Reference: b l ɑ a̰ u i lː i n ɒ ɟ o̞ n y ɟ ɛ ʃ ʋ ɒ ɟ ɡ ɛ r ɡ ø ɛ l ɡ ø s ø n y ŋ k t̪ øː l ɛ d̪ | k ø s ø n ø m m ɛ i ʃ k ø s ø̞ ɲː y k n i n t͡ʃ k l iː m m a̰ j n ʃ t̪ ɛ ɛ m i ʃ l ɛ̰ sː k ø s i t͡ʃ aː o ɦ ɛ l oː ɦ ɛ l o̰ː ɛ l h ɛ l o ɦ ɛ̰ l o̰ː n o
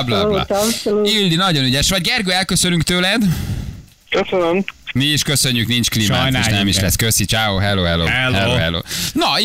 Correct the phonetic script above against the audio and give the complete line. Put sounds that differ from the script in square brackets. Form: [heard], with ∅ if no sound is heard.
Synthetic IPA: b l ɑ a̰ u i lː i n ɒ ɟ o̞ n y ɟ ɛ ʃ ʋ ɒ ɟ ɡ ɛ r ɡ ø ɛ l [k] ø s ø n y ŋ k t̪ øː l ɛ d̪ | k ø s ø n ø m m [i] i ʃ k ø s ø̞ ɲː y k n i n t͡ʃ k l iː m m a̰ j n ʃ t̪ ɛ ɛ m i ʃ l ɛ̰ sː k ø s i t͡ʃ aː o ɦ ɛ l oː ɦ ɛ l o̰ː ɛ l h ɛ l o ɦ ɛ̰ l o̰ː n [ɒ]